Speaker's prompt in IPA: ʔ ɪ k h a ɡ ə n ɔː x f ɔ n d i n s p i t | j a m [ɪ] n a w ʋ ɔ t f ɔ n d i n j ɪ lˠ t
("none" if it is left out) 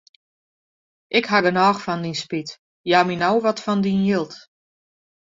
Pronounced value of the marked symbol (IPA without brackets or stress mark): i